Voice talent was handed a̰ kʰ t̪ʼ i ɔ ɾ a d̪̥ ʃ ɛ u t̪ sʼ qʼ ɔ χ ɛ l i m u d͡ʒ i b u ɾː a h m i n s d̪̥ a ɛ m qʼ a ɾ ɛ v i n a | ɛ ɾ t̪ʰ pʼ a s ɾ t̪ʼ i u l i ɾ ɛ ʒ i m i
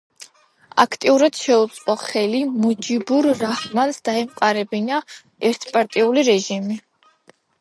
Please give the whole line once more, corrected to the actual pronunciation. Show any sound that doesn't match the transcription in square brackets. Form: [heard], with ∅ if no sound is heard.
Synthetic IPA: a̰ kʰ t̪ʼ i [u] ɾ a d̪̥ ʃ ɛ u t̪ sʼ qʼ ɔ χ ɛ l i m u d͡ʒ i b u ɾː a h m [a] n s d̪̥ a ɛ m qʼ a ɾ ɛ [b] i n a | ɛ ɾ t̪ʰ pʼ a [∅] ɾ t̪ʼ i u l i ɾ ɛ ʒ i m i